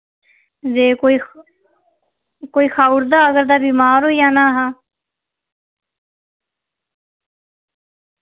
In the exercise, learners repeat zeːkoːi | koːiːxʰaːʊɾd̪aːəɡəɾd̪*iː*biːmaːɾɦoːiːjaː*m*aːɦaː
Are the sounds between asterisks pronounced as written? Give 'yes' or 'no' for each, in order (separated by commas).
no, no